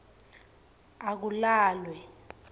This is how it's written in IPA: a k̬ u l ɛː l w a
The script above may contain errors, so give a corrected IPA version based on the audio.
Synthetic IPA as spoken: a k̬ u l aː l w ɛ

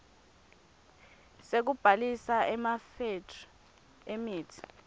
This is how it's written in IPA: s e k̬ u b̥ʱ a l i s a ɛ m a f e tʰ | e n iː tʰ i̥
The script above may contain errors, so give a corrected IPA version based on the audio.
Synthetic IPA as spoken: s e k̬ u b̥ʱ a l i s a ɛ m a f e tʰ | e m iː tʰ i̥

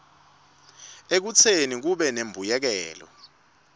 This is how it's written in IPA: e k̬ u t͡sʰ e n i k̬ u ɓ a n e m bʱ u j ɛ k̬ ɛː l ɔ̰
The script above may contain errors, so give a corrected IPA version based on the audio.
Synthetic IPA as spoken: e k̬ u t͡sʰ e n i k̬ u ɓ ɛ n e m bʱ u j ɛ k̬ ɛː l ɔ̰

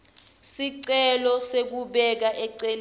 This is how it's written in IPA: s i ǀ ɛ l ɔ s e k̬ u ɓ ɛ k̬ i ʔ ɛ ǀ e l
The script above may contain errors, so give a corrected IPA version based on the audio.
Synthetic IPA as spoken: s i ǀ ɛ l ɔ s e k̬ u ɓ ɛ k̬ a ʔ ɛ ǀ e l

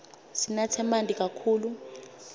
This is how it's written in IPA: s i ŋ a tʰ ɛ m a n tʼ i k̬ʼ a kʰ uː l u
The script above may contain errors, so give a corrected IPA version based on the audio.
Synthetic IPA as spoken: s i n a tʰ ɛ m a n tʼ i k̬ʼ a kʰ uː l u

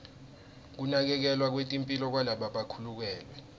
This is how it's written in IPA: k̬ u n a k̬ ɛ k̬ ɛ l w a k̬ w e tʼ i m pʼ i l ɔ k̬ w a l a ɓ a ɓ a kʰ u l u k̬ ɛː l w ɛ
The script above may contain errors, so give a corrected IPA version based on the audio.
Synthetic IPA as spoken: k̬ u n a k̬ ɛ k̬ ɛ l w a k̬ w e tʼ i m pʼ i l ɔ k̬ w a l a ɓ a ɓ a kʰ u l u k̬ ɛː l w ɛ

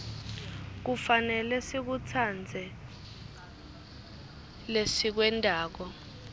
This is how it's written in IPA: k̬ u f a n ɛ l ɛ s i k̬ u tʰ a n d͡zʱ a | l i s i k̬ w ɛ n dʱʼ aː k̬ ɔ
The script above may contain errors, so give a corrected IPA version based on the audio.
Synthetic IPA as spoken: k̬ u f a n ɛ l ɛ s i k̬ u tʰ a n d͡zʱ ɛ | l e s i k̬ w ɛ n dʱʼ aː k̬ ɔ

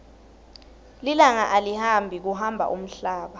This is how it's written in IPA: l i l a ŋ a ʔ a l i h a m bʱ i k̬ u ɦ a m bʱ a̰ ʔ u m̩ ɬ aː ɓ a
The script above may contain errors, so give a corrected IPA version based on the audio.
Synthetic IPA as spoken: l i l a ŋ a ʔ a l i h a m bʱ i k̬ u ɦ a m bʱ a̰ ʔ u m̩ ɬ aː ɓ a

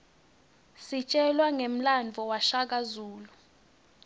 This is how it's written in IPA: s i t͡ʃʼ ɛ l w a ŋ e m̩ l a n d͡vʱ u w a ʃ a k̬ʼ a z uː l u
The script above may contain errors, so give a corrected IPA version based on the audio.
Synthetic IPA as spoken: s i t͡ʃʼ ɛ l w a ŋ e m̩ l a n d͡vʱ ɔ w a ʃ a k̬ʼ a z uː l u

